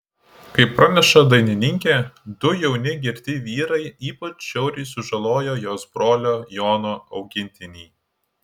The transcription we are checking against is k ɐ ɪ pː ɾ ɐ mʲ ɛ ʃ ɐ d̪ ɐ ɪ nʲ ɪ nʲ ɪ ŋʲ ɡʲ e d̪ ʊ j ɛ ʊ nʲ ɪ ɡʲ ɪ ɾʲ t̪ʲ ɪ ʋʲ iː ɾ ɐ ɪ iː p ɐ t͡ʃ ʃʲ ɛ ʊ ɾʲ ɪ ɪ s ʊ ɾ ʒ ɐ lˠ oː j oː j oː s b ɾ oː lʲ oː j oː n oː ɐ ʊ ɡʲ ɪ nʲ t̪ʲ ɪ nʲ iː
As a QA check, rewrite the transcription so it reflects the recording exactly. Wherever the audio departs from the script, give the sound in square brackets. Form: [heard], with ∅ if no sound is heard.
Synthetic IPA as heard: k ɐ ɪ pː ɾ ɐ [nʲ] ɛ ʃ ɐ d̪ ɐ ɪ nʲ ɪ nʲ ɪ ŋʲ [kʲ] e d̪ ʊ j ɛ ʊ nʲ ɪ ɡʲ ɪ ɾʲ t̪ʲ ɪ ʋʲ iː ɾ ɐ ɪ iː p ɐ t͡ʃ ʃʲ ɛ ʊ ɾʲ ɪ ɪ s ʊ [∅] ʒ ɐ lˠ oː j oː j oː s b ɾ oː lʲ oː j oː n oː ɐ ʊ ɡʲ ɪ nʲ t̪ʲ ɪ nʲ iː